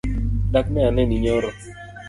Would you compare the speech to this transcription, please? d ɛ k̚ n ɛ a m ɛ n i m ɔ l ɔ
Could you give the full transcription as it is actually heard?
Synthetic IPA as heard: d a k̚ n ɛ a n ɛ n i ɲ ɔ ɾ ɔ